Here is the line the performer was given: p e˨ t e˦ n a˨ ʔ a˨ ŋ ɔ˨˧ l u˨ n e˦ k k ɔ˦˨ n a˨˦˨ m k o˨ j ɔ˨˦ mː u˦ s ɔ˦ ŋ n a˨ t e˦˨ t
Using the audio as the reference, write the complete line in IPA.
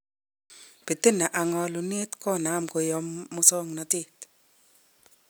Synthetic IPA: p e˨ t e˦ n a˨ ʔ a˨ ŋ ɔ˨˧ l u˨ n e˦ t k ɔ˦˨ n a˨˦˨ m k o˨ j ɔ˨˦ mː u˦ s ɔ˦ ŋ n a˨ t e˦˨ t